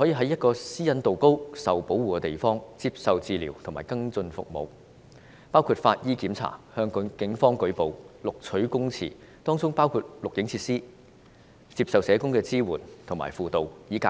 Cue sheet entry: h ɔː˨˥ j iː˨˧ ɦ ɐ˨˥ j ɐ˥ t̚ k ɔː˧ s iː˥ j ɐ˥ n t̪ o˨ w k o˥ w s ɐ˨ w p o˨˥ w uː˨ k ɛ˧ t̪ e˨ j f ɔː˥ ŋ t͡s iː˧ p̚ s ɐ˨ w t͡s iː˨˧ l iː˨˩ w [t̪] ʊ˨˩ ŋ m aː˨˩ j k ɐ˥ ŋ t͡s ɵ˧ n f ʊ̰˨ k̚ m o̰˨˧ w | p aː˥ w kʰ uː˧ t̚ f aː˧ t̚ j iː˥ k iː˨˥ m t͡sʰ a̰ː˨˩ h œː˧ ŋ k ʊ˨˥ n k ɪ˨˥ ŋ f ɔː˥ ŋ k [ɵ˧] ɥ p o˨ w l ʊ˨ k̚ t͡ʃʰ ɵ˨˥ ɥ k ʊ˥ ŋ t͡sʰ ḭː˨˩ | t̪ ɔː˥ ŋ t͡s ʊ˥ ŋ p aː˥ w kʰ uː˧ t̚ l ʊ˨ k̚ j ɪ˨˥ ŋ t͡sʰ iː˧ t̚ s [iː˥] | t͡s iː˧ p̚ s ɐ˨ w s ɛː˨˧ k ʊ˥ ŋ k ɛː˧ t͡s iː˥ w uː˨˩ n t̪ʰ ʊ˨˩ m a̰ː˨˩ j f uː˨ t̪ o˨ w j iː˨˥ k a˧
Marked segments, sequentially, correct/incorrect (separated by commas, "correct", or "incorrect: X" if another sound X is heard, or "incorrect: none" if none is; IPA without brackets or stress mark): incorrect: t̪ʰ, incorrect: ɵ˨˥, correct